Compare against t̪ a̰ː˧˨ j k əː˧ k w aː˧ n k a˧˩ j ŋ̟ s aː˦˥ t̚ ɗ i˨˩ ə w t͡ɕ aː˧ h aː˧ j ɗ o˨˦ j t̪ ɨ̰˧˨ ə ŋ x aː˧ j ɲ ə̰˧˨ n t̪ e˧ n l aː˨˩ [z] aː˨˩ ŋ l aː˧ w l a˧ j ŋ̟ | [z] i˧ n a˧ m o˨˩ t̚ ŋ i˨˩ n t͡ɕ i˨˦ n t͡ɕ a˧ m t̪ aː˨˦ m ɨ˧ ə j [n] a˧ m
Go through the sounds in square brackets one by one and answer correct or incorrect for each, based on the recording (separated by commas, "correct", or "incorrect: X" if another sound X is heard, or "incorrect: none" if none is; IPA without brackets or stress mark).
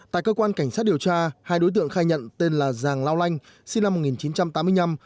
correct, incorrect: s, correct